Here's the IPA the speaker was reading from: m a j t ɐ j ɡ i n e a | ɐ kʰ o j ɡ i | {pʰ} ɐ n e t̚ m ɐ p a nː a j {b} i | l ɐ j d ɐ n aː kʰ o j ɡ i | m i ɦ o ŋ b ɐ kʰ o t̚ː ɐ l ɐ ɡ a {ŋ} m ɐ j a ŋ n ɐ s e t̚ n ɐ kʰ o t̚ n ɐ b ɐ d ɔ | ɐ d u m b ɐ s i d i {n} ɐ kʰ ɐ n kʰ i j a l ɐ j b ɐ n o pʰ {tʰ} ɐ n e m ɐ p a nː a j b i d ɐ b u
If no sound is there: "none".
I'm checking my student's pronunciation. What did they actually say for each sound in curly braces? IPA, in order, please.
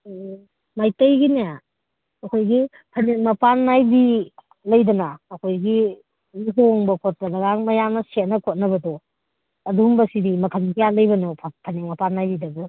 pʰ, b, ŋ, m, pʰ

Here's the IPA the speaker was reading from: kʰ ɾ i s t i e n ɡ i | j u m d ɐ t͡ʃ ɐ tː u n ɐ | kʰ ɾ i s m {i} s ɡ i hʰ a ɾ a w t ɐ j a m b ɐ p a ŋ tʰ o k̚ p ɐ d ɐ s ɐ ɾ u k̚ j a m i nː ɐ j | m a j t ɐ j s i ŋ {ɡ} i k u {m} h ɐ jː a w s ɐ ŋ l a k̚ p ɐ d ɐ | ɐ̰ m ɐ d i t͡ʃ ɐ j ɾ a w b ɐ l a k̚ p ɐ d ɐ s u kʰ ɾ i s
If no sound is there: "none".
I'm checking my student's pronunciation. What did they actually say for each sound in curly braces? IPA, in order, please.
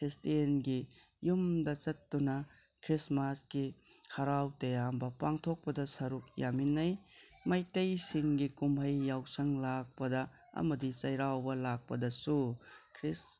a, ɡ, m

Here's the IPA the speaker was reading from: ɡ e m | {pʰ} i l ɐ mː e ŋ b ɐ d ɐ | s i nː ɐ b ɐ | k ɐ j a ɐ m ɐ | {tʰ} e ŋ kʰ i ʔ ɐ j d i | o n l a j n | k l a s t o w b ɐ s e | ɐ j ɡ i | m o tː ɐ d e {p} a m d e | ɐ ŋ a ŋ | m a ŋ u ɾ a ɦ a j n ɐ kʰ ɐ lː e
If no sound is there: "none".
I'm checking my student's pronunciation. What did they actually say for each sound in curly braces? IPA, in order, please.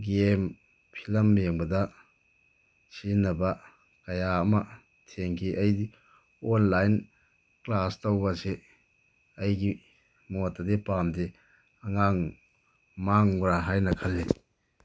pʰ, tʰ, p

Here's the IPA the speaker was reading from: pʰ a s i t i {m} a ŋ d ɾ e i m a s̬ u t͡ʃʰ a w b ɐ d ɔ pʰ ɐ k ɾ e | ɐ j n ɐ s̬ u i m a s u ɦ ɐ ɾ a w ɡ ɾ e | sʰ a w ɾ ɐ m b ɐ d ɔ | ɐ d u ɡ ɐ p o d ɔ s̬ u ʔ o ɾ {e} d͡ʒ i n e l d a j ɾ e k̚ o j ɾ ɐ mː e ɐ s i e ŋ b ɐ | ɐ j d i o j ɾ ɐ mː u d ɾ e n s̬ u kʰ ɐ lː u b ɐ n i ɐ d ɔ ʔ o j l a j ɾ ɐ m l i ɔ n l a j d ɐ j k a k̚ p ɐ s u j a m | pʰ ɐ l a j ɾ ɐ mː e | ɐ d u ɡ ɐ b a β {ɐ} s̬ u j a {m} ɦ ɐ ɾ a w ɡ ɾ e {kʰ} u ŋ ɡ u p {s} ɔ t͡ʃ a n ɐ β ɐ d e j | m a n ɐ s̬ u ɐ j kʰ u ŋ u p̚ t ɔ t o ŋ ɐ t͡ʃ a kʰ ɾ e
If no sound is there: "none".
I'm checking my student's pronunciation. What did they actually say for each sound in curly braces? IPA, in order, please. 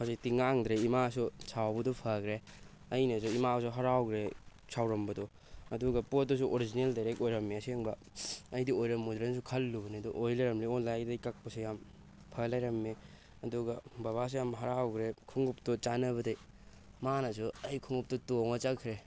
ŋ, i, a, m, kʰ, t

